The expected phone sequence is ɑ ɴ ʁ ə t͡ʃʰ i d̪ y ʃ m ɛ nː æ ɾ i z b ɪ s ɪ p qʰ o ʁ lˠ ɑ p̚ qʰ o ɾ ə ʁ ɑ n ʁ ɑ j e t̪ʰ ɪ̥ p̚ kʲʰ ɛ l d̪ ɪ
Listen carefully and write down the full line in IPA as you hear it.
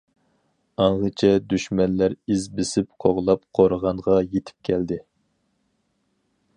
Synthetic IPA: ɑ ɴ ʁ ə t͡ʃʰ ɛ d̪ y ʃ m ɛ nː æ ɾ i z b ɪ s ɪ p qʰ o ʁ lˠ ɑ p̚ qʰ o ɾ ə ʁ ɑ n ʁ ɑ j e t̪ʰ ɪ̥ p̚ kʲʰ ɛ l d̪ ɪ